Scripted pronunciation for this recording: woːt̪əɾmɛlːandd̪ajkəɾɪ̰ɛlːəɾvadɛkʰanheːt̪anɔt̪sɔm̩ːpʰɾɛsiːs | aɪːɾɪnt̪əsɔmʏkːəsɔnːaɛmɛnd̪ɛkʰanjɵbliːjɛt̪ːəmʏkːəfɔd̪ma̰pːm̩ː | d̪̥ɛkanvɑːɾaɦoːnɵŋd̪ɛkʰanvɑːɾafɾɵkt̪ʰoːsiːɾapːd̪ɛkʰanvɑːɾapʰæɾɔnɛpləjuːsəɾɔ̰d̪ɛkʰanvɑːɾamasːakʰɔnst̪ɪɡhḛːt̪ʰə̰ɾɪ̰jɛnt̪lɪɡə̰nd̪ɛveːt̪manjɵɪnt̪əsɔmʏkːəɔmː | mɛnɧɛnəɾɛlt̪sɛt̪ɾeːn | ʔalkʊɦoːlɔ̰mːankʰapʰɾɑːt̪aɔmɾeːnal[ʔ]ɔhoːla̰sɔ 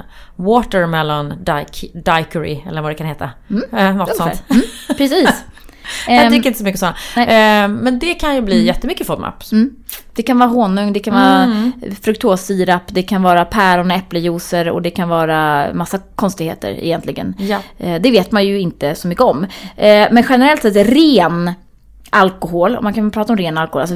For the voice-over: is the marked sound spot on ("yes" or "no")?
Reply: no